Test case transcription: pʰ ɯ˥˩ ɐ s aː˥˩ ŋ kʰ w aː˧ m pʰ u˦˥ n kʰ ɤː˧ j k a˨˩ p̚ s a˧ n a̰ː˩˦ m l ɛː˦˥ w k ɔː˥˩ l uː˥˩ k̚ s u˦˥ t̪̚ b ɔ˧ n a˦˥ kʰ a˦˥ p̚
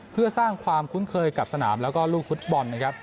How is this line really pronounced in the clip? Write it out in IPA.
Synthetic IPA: pʰ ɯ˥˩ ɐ s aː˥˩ ŋ kʰ w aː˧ m kʰ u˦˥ n kʰ ɤː˧ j k a˨˩ p̚ s a˧ n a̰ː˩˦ m l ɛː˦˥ w k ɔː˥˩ l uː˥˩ k̚ f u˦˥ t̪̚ b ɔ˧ nː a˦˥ kʰ a˦˥ p̚